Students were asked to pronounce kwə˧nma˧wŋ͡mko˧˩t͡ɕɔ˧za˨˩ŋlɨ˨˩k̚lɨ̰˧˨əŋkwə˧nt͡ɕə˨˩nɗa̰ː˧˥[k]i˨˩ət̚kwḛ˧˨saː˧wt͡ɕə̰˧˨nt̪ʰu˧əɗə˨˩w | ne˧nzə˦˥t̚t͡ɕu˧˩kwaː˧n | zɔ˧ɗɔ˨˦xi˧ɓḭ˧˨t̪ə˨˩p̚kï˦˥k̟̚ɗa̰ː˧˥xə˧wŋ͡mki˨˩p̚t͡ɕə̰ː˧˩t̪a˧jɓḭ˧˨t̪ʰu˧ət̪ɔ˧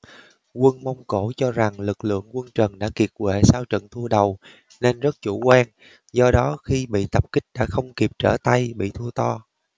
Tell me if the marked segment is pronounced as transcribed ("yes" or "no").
yes